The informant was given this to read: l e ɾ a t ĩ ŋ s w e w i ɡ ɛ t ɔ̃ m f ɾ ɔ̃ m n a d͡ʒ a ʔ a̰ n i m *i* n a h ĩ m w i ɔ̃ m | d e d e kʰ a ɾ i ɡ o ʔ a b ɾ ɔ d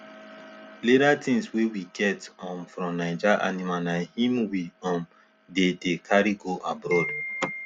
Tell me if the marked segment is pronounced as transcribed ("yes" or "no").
no